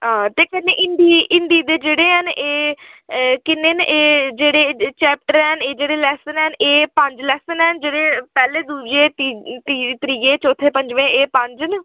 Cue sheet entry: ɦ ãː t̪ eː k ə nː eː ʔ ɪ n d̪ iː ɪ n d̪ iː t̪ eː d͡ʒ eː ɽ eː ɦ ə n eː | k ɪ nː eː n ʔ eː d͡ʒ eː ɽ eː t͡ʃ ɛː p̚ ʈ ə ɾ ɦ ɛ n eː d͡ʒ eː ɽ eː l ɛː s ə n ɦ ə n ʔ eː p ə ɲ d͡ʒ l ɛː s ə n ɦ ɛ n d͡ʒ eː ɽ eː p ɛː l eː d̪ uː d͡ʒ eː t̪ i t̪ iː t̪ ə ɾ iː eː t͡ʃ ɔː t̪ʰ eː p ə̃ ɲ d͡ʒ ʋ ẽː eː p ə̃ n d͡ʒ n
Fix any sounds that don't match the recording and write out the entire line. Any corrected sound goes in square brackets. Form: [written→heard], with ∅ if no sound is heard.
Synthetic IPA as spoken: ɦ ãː t̪ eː k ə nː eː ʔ ɪ n d̪ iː ɪ n d̪ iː [t̪→d̪] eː d͡ʒ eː ɽ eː ɦ ə n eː | k ɪ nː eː n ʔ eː d͡ʒ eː ɽ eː t͡ʃ ɛː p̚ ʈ ə ɾ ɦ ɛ n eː d͡ʒ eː ɽ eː l ɛː s ə n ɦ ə n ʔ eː p ə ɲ d͡ʒ l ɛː s ə n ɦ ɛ n d͡ʒ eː ɽ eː p ɛː l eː d̪ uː d͡ʒ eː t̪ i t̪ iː t̪ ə ɾ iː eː t͡ʃ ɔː t̪ʰ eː p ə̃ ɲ d͡ʒ ʋ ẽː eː p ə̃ [n→ɲ] d͡ʒ n